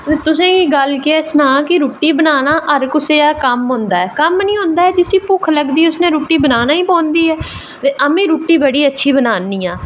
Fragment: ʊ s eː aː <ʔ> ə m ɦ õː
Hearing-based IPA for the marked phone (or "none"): k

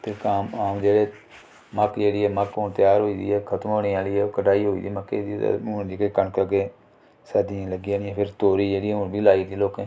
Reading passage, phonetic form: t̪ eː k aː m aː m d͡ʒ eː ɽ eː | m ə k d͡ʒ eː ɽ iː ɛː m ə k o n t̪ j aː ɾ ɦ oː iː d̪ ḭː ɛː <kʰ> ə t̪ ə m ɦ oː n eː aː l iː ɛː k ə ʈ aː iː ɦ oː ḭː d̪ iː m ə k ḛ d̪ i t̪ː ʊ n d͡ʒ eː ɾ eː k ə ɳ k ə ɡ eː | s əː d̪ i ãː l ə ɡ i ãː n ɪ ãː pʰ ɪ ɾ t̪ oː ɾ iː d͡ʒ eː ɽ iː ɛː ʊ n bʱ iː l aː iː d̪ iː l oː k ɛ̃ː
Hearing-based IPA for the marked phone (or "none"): kʰ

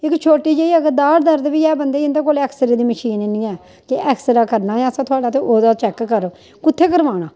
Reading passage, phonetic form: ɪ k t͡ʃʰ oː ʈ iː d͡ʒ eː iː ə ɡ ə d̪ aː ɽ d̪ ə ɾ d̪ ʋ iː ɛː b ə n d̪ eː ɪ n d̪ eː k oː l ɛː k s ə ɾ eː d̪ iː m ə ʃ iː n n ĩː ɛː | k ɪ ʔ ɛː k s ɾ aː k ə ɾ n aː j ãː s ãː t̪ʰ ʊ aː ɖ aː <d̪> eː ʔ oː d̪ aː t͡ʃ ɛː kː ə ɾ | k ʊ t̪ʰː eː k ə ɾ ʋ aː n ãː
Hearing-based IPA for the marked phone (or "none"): t̪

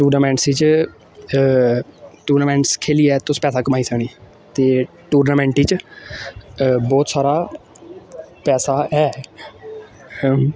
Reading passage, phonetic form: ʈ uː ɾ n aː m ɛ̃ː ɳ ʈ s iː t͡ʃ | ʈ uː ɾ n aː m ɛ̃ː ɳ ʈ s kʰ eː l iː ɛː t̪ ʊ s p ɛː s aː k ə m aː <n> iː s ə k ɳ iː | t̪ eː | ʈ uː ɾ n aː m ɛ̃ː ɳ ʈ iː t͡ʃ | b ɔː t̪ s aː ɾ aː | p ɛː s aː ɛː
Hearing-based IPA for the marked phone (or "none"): none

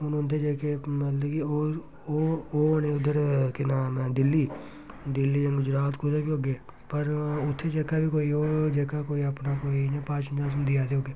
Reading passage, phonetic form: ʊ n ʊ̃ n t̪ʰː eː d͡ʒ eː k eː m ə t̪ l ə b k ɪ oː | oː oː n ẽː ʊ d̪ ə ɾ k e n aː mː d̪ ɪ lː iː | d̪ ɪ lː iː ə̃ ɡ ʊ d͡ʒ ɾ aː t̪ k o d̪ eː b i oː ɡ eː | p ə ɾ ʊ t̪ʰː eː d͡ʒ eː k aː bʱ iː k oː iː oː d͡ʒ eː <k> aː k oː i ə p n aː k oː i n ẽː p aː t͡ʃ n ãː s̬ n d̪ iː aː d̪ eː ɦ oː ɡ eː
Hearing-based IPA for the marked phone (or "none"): k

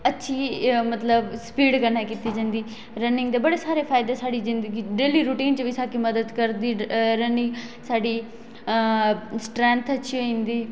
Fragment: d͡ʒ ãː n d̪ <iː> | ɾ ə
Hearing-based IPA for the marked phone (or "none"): iː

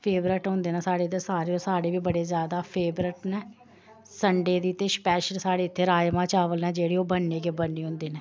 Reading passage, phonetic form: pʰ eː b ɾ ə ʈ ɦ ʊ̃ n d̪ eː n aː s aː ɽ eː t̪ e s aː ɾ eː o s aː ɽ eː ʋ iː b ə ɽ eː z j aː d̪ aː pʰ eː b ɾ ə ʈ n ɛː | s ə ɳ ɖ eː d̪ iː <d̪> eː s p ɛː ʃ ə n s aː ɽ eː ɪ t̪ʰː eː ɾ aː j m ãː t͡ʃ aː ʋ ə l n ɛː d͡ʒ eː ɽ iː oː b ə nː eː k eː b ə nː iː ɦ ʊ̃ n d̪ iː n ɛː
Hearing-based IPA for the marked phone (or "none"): t̪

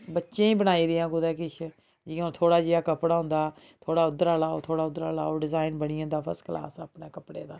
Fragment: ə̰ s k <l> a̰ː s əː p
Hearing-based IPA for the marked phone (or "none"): l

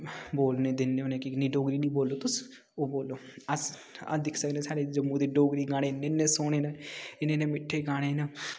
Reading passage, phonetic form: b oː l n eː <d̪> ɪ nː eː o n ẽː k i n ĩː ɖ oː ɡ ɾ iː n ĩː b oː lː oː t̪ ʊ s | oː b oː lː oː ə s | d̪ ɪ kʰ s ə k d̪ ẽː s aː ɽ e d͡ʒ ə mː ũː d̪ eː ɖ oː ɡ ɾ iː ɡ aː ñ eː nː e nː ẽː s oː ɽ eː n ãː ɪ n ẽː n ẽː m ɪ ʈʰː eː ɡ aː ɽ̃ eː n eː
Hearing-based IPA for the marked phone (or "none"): d̪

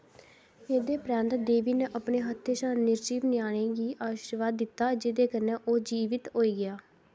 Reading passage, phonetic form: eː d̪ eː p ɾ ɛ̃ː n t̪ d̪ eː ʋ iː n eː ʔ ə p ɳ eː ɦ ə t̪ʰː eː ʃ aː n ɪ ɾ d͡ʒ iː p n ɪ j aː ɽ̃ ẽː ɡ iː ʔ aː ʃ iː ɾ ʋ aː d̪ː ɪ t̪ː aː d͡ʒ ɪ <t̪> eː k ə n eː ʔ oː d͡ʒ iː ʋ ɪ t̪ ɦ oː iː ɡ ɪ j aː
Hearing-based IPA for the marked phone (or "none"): d̪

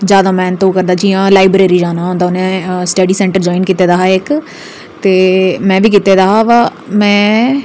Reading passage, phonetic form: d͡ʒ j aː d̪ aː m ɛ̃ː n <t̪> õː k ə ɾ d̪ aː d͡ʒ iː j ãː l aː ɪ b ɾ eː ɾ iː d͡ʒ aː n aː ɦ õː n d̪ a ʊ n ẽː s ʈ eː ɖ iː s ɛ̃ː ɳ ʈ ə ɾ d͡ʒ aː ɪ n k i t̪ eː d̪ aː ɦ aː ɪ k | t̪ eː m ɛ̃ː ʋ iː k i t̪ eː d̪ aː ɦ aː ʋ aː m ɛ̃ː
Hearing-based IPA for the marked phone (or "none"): t̪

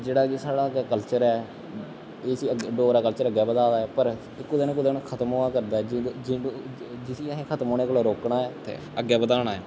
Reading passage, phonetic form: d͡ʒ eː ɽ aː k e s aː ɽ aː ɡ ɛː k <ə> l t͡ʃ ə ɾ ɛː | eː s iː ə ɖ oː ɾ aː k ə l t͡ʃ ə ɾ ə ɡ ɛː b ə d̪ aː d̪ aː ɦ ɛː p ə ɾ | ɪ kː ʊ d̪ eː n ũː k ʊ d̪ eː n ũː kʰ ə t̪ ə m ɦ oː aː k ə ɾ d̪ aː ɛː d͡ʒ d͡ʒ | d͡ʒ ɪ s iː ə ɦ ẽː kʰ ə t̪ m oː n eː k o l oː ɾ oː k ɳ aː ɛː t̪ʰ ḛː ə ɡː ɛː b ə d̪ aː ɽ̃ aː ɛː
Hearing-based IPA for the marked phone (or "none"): ə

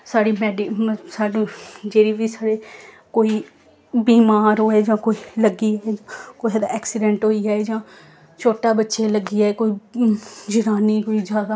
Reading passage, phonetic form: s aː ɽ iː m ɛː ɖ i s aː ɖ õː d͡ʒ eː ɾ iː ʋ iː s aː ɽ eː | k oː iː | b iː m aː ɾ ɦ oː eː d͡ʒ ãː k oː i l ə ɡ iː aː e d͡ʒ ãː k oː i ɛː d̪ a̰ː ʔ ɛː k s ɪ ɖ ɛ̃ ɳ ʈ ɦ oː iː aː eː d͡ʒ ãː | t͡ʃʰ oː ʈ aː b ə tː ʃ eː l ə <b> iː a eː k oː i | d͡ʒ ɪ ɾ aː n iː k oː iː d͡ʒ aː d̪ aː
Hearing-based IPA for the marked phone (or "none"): ɡ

